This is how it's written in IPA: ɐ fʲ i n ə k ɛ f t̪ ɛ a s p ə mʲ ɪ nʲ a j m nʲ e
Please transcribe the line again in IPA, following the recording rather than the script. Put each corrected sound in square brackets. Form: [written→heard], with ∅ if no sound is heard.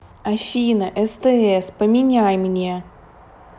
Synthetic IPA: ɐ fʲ i n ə [k→ʔ] ɛ [f→s] t̪ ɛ [a→ɛ] s p ə mʲ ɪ nʲ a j m nʲ e

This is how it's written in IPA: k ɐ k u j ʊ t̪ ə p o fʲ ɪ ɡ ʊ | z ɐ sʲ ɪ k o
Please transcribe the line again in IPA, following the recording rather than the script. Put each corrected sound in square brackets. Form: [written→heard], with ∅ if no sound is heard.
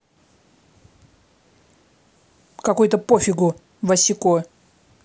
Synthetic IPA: k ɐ k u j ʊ t̪ ə p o fʲ ɪ ɡ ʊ | [z→v] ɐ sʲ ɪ k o

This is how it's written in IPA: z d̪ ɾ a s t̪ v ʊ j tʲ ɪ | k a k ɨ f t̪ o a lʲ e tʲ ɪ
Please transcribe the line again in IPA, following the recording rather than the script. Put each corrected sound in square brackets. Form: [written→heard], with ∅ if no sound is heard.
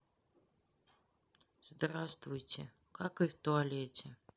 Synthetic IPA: z d̪ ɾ a s t̪ v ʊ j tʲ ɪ | k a k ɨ f t̪ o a lʲ e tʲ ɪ

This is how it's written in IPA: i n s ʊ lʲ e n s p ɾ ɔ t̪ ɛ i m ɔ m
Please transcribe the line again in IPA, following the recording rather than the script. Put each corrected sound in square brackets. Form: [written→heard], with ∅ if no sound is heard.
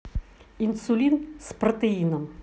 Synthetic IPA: i n s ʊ lʲ [e→i] n s p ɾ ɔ t̪ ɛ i [m→n] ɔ m

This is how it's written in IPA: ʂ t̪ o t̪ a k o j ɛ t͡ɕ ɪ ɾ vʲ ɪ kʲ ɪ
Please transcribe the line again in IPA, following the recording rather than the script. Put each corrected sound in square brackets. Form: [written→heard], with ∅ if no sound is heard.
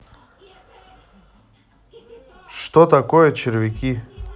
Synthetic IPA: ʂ t̪ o t̪ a k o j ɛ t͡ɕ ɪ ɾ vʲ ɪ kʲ [ɪ→i]

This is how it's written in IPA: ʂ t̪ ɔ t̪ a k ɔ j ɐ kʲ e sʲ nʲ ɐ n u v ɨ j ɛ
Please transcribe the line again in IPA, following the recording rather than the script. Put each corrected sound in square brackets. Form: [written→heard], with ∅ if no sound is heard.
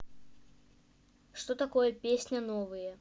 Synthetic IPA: ʂ t̪ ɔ t̪ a k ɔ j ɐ [kʲ→pʲ] e sʲ nʲ ɐ n [u→ɔ] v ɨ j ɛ

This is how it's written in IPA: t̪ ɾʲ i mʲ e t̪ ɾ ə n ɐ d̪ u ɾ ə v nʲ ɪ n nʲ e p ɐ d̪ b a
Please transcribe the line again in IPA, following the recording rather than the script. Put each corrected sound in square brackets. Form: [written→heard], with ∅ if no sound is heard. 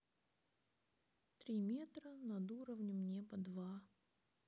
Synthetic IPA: t̪ ɾʲ i mʲ e t̪ ɾ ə n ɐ d̪ u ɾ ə v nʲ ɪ [n→m] nʲ e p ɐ d̪ [b→v] a

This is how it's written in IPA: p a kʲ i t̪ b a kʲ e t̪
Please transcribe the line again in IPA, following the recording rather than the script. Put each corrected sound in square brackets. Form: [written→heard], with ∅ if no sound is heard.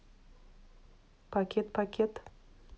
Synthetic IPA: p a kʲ [i→e] t̪ [b→p] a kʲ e t̪

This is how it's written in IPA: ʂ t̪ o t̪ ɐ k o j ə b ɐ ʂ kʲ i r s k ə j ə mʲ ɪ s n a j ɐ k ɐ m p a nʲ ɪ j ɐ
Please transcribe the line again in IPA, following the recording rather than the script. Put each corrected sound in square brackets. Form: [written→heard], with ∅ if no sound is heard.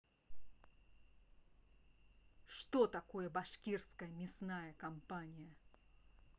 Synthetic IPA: ʂ t̪ o t̪ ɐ k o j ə b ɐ ʂ kʲ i r s k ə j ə mʲ ɪ s n a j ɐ k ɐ m p a nʲ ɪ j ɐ

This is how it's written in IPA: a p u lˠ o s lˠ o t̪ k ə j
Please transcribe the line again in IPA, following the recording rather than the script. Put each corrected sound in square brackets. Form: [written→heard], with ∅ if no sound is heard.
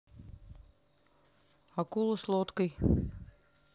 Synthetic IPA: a [p→k] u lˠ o s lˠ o t̪ k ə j

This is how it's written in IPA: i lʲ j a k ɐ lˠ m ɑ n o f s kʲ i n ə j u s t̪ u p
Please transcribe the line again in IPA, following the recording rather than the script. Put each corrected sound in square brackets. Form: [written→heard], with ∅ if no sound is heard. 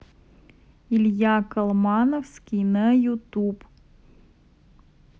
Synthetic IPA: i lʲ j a k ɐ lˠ m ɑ n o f s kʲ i n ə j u [s→∅] t̪ u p

